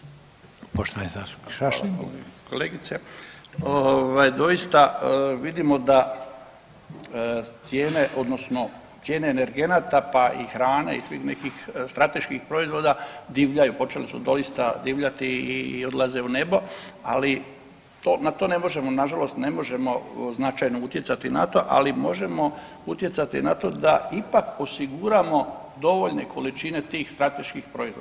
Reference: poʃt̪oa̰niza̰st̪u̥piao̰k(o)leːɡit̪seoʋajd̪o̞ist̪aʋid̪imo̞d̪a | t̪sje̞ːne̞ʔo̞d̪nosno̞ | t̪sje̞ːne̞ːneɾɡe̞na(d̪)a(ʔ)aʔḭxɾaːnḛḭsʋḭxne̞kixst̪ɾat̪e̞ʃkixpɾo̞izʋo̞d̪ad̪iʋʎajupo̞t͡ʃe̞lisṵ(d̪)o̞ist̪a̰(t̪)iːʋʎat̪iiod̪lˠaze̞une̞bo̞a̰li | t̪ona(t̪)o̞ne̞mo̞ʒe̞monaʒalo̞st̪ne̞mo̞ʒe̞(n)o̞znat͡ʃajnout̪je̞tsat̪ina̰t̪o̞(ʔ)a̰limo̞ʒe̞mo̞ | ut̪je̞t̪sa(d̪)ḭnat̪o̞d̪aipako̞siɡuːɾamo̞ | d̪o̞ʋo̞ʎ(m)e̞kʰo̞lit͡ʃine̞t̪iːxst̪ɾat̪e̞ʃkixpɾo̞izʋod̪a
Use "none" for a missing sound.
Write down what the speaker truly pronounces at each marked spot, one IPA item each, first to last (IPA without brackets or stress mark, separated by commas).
o, t̪, p, d̪, d̪, t̪, m, ʔ, t̪, n